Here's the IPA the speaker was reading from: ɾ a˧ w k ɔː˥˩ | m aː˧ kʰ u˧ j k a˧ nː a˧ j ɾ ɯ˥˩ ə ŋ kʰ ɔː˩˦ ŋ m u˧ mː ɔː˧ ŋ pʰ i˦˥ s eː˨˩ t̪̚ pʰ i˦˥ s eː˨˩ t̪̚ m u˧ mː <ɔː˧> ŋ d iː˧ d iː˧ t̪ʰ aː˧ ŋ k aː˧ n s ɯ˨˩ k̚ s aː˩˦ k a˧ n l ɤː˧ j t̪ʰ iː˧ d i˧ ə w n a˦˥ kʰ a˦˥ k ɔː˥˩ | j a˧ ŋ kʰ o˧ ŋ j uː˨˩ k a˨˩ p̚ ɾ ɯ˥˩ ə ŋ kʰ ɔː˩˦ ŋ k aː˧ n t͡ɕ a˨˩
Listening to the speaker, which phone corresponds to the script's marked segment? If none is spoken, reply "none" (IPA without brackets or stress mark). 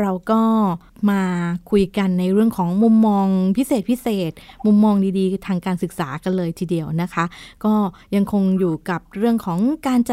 ɔː˧